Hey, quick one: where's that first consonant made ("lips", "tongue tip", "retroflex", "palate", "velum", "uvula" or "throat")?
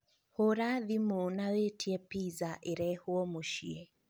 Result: throat